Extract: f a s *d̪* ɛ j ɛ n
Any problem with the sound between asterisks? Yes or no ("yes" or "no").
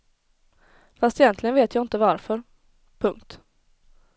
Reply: yes